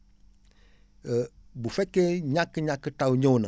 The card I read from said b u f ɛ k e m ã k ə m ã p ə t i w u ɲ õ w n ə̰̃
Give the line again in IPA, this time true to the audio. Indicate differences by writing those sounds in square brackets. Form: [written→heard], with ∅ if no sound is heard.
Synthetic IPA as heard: b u f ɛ k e [m→ɲ] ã k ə [m→ɲ] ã [p→k] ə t [i→a] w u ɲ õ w n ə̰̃